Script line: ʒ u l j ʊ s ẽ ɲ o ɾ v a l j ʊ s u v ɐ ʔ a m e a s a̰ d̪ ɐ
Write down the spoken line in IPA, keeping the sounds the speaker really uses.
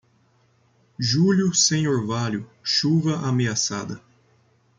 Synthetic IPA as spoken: ʒ u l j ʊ s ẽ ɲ o ɾ v a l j ʊ ʃ u v ɐ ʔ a m e a s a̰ d̪ ɐ